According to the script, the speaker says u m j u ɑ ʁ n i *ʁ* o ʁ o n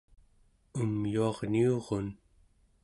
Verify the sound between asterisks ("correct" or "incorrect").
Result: incorrect